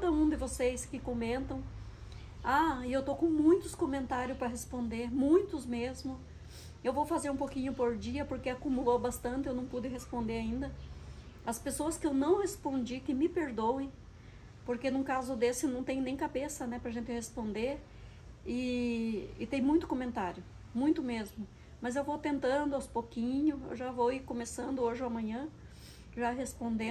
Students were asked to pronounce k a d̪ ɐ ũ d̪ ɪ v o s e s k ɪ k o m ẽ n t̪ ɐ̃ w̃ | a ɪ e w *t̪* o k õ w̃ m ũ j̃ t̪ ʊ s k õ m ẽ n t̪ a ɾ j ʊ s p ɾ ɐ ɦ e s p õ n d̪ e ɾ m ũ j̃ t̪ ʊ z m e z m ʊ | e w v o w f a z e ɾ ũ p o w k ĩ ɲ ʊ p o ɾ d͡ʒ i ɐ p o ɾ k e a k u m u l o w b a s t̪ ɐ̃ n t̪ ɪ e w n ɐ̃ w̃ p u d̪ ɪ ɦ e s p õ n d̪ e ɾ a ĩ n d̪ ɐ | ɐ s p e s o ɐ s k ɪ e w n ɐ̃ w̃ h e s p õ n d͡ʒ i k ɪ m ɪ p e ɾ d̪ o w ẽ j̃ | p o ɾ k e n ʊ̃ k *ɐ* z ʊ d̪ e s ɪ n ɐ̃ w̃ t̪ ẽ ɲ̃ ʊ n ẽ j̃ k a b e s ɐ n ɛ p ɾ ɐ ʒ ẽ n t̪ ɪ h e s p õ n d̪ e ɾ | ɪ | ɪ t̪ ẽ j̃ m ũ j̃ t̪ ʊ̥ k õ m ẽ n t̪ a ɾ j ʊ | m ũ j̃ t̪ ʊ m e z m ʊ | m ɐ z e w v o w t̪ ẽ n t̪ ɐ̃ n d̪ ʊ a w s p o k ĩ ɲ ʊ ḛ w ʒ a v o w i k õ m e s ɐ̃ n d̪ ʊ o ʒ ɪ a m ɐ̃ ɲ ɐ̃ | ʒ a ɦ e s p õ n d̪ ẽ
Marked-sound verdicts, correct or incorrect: correct, incorrect: a

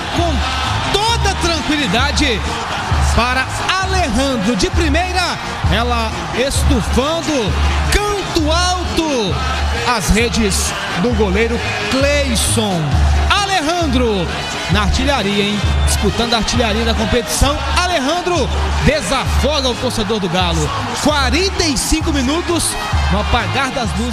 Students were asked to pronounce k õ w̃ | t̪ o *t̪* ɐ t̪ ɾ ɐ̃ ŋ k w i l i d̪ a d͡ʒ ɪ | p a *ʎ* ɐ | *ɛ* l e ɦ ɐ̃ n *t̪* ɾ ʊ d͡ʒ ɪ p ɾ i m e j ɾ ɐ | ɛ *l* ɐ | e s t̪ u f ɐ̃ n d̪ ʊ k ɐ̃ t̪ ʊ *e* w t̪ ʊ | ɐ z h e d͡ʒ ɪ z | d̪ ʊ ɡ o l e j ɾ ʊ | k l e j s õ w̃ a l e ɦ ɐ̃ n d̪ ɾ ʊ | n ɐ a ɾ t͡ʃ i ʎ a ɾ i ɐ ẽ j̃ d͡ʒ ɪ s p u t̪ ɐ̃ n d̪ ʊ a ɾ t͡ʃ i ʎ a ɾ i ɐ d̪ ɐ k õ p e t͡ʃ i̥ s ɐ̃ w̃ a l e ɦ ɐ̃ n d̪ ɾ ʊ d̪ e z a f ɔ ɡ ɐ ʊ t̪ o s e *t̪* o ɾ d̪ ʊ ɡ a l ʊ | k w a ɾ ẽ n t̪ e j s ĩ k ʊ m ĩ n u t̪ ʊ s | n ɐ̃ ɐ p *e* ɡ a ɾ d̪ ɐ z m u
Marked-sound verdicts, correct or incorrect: incorrect: d̪, incorrect: ɾ, incorrect: a, incorrect: d̪, correct, incorrect: a, incorrect: d̪, incorrect: a

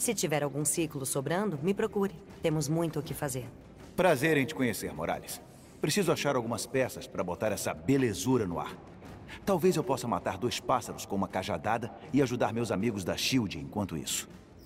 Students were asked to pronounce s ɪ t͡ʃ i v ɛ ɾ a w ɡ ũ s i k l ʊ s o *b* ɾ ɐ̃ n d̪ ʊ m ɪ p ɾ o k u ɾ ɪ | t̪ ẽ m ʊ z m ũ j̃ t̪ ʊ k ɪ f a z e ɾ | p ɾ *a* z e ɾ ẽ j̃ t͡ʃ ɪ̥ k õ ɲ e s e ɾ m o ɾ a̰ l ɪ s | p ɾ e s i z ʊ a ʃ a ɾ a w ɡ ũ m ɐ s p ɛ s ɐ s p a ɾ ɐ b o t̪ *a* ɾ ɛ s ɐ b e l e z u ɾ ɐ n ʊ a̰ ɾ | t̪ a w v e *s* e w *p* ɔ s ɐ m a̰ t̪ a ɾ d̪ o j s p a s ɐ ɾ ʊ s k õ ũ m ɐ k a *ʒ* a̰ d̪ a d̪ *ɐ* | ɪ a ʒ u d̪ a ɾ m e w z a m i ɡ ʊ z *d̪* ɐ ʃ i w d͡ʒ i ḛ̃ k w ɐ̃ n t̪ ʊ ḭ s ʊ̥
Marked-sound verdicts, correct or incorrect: correct, correct, correct, incorrect: z, correct, correct, correct, correct

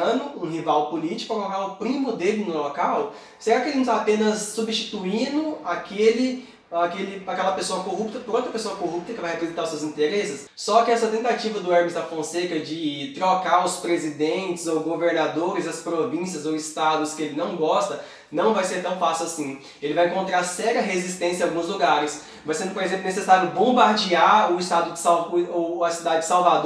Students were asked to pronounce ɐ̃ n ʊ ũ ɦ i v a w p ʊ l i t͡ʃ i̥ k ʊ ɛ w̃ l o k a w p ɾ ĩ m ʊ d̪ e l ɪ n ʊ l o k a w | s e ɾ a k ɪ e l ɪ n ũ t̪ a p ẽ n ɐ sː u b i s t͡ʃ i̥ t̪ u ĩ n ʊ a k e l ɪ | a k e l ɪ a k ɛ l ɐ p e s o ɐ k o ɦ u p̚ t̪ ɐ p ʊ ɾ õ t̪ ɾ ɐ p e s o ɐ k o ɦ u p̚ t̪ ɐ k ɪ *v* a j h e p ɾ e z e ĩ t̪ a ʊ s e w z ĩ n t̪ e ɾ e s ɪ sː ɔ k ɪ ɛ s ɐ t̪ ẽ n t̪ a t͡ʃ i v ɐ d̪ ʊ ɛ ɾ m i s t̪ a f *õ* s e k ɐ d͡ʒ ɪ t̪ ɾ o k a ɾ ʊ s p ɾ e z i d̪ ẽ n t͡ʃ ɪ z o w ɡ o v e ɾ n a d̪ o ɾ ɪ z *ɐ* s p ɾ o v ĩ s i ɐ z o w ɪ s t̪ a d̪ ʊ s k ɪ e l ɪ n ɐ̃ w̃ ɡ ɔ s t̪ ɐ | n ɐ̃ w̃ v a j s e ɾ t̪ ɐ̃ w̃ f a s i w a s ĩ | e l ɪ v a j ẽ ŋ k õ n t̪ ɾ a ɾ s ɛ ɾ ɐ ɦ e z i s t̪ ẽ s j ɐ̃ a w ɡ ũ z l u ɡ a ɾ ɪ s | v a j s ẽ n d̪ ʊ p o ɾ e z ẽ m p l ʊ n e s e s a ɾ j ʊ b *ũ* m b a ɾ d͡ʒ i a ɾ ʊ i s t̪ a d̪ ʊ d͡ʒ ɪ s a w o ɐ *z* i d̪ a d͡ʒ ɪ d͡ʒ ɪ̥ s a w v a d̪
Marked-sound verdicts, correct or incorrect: correct, correct, correct, incorrect: õ, incorrect: s

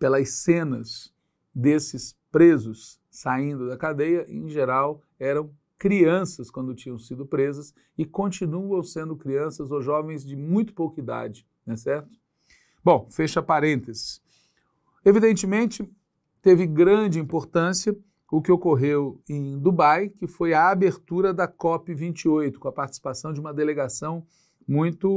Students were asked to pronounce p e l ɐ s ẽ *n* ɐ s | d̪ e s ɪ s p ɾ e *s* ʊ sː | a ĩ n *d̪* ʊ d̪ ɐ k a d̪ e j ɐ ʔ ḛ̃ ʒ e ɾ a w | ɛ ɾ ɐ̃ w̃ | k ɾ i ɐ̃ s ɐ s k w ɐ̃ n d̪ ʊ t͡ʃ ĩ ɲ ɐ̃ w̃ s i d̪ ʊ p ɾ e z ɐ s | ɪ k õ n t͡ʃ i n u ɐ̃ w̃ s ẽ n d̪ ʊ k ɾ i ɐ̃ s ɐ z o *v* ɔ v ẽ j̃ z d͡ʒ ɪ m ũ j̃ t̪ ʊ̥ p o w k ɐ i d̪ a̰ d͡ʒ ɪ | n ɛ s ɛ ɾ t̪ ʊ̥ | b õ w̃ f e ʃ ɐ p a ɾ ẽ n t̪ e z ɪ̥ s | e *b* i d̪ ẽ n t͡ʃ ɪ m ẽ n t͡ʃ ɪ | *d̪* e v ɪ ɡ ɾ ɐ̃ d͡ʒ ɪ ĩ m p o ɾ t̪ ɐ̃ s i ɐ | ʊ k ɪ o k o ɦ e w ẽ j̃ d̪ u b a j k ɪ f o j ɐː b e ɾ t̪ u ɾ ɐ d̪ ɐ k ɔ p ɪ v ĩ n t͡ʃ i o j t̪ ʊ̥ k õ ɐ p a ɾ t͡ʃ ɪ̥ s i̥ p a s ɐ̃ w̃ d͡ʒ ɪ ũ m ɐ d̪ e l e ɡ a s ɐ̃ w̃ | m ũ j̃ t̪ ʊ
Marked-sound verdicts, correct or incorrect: correct, incorrect: z, correct, incorrect: ʒ, incorrect: v, incorrect: t̪

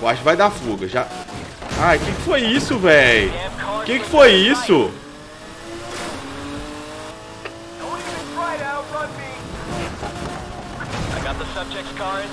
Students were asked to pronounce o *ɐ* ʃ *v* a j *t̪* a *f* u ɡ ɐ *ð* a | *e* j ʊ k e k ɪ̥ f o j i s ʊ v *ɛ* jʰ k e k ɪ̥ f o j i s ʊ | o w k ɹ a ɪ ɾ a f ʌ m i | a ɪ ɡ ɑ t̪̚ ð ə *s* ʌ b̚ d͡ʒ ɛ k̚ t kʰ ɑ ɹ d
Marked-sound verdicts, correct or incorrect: incorrect: a, correct, incorrect: d̪, correct, incorrect: ʒ, incorrect: a, correct, correct

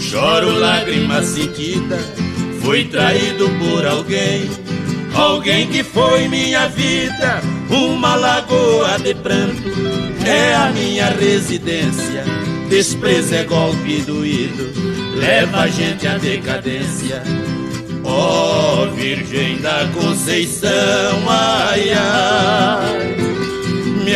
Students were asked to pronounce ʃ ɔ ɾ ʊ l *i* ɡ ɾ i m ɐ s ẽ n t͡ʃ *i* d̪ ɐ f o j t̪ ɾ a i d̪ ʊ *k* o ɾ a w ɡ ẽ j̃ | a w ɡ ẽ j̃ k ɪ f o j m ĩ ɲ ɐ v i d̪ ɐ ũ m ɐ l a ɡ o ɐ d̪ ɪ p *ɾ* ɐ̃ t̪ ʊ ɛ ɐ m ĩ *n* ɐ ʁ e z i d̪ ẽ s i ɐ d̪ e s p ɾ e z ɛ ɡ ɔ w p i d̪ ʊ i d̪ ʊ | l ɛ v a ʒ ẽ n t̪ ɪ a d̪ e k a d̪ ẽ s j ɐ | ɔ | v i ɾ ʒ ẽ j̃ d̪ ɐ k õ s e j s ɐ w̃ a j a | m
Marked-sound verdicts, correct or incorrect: incorrect: a, correct, incorrect: p, correct, incorrect: ɲ

